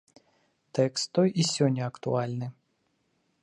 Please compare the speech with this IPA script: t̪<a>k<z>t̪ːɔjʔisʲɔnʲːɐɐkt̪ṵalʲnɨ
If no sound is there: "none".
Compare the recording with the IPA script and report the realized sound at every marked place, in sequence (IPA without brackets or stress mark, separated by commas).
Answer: ɛ, s